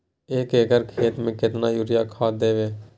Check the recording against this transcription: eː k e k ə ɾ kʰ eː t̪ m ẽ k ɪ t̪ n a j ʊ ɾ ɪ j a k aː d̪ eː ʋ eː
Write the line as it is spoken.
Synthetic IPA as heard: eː k e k ə ɾ kʰ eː t̪ m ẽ k ɪ t̪ n a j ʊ ɾ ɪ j a kʰ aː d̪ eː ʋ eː